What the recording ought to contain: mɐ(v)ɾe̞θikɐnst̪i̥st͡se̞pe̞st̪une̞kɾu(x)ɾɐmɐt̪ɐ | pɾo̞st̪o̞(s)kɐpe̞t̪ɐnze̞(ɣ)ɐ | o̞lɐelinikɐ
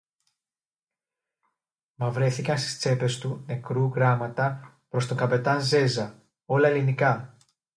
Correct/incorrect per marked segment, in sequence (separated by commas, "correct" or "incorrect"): correct, incorrect, incorrect, incorrect